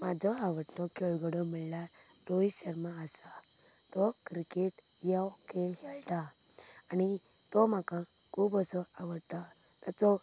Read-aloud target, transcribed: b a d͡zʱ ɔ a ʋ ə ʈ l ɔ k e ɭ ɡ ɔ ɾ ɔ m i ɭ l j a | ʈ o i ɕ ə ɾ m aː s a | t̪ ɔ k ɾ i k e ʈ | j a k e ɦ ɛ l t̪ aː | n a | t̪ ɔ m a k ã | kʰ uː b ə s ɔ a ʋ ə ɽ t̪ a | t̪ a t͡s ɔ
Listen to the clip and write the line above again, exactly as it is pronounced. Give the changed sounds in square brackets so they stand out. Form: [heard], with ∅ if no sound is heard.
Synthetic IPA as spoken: [m] a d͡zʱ ɔ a ʋ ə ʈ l ɔ k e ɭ ɡ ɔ [ɽ] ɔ m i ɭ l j a | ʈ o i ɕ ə ɾ m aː s a | t̪ ɔ k ɾ i k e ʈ | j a k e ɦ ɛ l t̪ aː | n [i] | t̪ ɔ m a k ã | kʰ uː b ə s ɔ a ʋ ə ɽ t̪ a | t̪ a t͡s ɔ